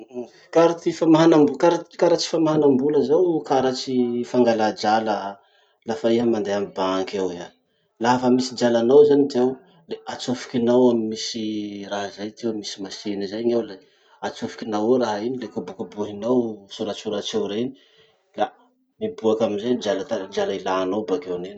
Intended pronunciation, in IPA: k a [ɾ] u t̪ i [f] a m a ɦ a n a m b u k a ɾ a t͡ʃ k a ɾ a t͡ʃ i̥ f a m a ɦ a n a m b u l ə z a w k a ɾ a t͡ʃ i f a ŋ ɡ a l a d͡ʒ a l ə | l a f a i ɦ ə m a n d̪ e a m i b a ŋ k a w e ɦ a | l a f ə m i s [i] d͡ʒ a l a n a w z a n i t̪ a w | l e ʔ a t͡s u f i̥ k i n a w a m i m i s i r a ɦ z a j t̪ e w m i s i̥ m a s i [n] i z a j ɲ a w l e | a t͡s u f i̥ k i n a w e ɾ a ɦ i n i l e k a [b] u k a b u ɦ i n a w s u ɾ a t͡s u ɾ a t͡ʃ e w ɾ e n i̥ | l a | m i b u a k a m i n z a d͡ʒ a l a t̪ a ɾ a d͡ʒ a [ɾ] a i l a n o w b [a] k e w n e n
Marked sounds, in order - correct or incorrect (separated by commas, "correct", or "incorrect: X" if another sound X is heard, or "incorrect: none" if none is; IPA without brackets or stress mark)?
correct, correct, correct, correct, correct, incorrect: l, correct